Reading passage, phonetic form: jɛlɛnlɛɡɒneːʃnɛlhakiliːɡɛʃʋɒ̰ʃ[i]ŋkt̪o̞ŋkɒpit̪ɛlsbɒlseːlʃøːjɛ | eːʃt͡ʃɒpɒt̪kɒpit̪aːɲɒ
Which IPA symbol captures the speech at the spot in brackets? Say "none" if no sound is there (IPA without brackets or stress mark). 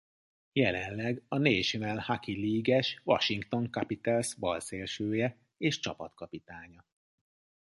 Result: i